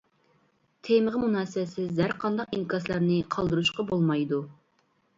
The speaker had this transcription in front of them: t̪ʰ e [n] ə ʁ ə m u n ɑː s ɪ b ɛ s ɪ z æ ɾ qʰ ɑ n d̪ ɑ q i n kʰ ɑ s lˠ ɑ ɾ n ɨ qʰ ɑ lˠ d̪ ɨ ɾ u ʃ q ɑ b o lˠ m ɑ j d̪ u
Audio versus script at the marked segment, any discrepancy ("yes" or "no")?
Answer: yes